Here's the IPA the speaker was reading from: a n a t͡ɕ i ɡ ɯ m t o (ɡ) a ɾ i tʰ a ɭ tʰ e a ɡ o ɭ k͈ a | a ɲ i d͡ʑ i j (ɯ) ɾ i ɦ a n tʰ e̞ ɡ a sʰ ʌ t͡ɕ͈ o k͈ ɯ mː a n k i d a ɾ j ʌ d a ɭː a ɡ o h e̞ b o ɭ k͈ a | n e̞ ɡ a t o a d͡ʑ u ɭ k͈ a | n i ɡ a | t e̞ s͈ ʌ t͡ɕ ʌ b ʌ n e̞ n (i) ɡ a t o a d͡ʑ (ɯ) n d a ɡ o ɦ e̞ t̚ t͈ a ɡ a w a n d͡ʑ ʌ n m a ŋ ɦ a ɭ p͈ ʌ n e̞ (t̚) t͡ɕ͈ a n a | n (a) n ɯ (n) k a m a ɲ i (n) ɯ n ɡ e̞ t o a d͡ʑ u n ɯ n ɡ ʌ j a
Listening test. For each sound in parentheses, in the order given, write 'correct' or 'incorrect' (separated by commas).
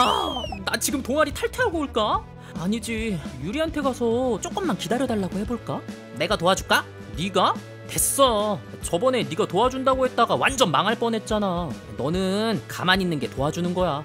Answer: incorrect, incorrect, correct, incorrect, correct, incorrect, correct, incorrect